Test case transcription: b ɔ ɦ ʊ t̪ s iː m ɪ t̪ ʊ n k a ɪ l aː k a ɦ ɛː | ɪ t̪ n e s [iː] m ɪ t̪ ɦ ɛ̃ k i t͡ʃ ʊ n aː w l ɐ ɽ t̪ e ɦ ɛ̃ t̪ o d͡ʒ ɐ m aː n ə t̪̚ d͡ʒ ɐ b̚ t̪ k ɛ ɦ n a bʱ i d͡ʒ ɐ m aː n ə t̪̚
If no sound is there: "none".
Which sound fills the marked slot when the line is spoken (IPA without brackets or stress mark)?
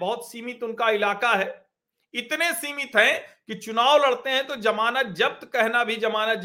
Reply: iː